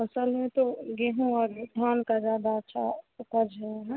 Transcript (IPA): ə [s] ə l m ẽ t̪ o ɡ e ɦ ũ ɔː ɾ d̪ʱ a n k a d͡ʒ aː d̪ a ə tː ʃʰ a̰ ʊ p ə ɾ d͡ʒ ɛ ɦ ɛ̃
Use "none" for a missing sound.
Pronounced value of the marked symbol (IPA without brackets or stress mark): s